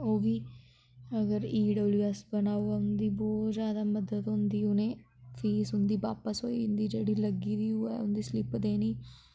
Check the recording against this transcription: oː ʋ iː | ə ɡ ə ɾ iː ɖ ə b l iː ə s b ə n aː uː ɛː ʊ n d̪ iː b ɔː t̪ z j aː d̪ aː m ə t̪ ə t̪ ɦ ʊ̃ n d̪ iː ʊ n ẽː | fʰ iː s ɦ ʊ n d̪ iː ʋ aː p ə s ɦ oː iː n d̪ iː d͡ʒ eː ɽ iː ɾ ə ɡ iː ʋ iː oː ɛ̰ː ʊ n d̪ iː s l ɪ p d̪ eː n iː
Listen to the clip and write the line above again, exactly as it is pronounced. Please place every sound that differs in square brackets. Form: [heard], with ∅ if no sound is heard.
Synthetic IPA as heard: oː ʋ iː | ə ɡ ə ɾ iː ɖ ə b l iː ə s b ə n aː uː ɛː ʊ n d̪ iː b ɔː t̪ z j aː d̪ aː m ə [d̪] ə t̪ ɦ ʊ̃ n d̪ iː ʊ n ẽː | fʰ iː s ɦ ʊ n d̪ iː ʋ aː p ə s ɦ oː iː n d̪ iː d͡ʒ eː ɽ iː [l] ə ɡ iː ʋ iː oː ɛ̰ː ʊ n d̪ iː s l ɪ p d̪ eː n iː